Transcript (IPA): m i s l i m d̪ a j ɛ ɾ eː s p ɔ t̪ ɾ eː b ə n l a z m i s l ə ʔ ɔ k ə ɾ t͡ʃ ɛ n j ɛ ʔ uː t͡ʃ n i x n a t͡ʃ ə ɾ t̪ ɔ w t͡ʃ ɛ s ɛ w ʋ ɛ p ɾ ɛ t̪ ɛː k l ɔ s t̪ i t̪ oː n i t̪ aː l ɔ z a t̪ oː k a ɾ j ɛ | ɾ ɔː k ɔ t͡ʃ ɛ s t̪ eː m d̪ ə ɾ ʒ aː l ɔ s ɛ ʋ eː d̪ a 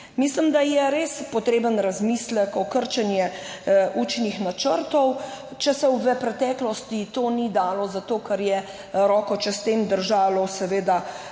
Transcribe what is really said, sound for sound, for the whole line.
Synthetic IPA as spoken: m i s l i m d̪ a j ɛ ɾ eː s p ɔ t̪ ɾ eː b ə n ɾ a z m i s l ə k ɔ k ə ɾ t͡ʃ ɛ n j ɛ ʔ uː t͡ʃ n i x n a t͡ʃ ə ɾ t̪ ɔ w t͡ʃ ɛ s ɛ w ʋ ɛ p ɾ ɛ t̪ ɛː k l ɔ s t̪ i t̪ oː n i d̪ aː l ɔ z a t̪ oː k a ɾ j ɛ | ɾ ɔː k ɔ t͡ʃ ɛ s t̪ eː m d̪ ə ɾ ʒ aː l ɔ s ɛ ʋ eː d̪ a